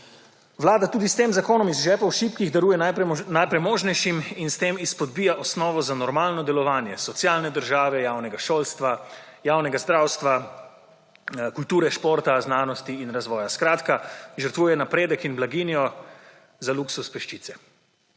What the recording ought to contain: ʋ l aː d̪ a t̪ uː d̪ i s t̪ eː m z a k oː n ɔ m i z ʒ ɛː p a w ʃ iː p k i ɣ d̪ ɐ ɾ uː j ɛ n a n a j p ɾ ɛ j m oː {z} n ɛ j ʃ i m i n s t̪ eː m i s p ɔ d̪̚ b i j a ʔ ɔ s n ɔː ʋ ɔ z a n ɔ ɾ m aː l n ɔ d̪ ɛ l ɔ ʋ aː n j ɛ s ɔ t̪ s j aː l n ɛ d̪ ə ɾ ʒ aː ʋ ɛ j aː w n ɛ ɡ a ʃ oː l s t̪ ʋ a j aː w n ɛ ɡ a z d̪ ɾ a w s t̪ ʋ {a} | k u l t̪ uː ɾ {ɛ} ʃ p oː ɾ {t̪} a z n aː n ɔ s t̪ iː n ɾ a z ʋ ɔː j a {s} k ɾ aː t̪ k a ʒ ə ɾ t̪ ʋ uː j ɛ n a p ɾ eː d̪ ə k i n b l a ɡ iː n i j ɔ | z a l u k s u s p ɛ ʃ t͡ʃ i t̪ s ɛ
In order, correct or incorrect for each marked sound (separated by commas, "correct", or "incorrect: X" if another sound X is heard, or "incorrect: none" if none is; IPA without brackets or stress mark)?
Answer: incorrect: ʒ, correct, correct, correct, correct